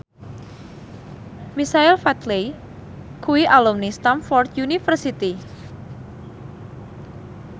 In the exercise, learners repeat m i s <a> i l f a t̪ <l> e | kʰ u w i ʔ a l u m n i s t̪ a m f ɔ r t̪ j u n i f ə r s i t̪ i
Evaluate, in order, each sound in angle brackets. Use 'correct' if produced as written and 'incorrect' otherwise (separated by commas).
correct, correct